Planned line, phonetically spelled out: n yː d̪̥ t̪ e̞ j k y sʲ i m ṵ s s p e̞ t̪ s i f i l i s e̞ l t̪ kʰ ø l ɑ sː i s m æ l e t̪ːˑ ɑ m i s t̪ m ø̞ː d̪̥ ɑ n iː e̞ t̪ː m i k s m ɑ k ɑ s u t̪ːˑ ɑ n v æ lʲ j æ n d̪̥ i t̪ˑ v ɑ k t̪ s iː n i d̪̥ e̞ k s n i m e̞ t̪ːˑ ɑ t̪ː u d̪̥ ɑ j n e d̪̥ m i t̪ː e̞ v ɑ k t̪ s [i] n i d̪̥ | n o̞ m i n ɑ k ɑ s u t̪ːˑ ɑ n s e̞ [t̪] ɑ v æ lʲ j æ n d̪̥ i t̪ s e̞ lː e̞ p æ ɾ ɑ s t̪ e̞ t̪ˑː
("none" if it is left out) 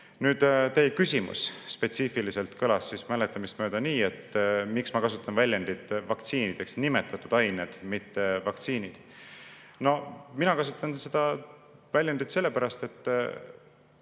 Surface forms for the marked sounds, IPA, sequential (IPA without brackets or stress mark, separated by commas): iː, d̪